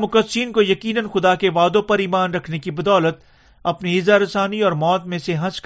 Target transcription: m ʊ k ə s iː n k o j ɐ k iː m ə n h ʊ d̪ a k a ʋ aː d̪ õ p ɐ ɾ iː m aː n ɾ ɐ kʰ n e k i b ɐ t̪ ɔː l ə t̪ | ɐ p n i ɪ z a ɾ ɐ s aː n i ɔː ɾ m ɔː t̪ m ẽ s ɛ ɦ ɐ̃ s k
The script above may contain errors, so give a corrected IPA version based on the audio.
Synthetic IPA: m ʊ k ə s iː n k o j ɐ k iː n ə n x ʊ d̪ a k e ʋ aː d̪ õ p ɐ ɾ iː m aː n ɾ ɐ kʰ n e k i b ɐ d̪ ɔː l ə t̪ | ɐ p n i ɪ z a ɾ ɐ s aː n i ɔː ɾ m ɔː t̪ m ẽ s e ɦ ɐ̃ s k